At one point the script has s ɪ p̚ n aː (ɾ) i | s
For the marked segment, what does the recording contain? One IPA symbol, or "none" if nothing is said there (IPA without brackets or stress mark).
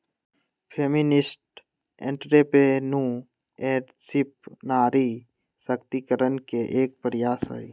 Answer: ɾ